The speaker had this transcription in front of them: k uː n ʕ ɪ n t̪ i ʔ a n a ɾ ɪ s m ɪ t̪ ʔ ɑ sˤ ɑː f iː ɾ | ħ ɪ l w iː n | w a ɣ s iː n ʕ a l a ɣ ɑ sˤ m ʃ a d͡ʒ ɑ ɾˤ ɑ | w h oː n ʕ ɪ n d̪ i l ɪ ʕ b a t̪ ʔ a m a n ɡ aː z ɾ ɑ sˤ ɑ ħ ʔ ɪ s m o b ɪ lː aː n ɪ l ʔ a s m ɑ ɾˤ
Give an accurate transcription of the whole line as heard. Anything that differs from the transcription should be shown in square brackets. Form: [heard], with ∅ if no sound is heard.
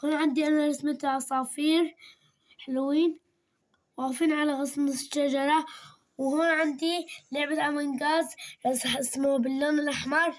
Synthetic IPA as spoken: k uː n ʕ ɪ n [d̪] i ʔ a n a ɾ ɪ s m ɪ t̪ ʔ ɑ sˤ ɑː f iː ɾ | ħ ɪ l w iː n | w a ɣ [f] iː n ʕ a l a ɣ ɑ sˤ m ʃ a d͡ʒ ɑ ɾˤ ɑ | w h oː n ʕ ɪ n d̪ i l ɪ ʕ b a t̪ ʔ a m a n ɡ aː z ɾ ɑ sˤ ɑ ħ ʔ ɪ s m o b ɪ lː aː n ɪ l ʔ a [ħ] m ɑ ɾˤ